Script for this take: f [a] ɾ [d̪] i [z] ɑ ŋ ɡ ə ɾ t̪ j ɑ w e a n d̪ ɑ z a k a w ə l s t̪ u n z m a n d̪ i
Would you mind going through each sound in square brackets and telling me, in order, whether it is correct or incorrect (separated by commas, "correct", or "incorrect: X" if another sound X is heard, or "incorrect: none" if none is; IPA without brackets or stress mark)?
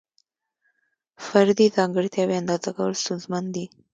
correct, correct, correct